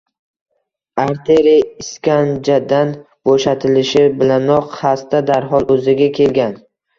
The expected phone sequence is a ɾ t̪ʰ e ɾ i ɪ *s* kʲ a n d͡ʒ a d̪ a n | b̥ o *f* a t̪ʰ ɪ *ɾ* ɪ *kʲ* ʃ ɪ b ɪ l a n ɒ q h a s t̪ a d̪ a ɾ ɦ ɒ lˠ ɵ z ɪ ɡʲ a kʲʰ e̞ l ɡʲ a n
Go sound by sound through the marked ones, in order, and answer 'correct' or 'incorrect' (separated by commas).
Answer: correct, incorrect, incorrect, incorrect